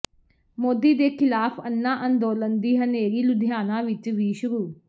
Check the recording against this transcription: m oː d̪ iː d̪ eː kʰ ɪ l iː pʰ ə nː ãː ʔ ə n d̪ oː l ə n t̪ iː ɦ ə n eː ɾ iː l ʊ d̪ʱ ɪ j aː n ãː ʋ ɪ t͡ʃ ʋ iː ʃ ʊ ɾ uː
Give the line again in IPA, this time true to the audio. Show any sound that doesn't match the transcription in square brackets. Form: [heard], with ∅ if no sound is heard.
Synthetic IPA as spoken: m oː d̪ iː d̪ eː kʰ ɪ l [aː] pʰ ə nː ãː ʔ ə n d̪ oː l ə n [d̪] iː ɦ ə n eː ɾ iː l ʊ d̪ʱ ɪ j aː n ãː ʋ ɪ t͡ʃ ʋ iː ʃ ʊ ɾ uː